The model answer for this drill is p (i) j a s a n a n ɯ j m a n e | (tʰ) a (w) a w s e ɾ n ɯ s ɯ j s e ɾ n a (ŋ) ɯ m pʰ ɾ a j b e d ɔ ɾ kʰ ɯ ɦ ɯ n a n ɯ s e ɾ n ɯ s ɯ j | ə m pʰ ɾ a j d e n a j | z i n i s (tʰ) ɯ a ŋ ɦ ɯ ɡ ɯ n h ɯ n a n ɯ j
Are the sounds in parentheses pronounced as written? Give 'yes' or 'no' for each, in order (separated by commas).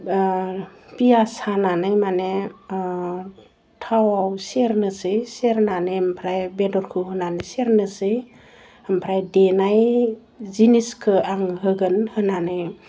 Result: yes, yes, yes, no, no